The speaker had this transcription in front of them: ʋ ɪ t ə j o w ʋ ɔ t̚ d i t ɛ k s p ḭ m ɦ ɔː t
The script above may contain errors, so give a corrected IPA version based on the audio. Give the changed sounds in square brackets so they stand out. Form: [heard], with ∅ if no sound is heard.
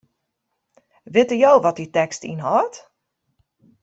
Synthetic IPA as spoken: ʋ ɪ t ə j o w ʋ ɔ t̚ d i t ɛ k s [t] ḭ [n] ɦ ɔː t